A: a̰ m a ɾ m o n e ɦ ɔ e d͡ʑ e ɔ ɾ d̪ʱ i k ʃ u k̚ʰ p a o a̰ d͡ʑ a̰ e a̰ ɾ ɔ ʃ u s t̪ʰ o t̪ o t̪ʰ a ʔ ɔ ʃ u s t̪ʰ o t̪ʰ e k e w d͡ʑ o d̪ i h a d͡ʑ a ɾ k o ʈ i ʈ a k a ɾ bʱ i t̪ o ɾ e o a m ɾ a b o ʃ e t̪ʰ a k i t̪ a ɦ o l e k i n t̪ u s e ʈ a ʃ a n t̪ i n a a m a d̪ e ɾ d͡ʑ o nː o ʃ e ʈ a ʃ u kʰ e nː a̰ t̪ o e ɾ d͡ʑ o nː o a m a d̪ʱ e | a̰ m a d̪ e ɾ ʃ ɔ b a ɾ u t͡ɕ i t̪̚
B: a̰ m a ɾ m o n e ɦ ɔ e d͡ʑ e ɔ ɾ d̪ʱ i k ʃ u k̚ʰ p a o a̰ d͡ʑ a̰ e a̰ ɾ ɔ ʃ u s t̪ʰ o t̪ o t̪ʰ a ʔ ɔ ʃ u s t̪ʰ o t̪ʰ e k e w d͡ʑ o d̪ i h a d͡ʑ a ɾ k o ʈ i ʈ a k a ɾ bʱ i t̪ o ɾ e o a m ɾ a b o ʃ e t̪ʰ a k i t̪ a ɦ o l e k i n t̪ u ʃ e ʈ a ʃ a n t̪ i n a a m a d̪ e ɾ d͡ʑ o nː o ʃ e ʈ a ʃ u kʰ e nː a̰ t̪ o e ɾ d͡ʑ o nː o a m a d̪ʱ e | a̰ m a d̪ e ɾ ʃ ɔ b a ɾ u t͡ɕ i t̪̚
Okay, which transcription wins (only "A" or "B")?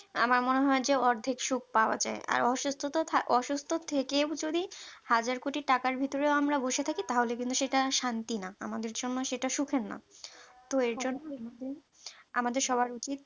B